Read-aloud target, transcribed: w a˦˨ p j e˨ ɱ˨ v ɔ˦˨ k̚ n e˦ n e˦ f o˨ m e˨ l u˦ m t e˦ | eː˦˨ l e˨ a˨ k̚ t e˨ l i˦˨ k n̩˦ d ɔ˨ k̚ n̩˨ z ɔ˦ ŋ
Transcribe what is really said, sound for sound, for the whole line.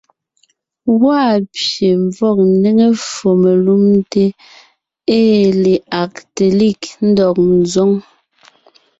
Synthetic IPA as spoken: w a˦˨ p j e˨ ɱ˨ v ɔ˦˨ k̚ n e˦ ŋ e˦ f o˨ m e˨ l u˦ m t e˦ | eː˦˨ l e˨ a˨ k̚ t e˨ l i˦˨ k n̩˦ d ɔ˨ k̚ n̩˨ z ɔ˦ ŋ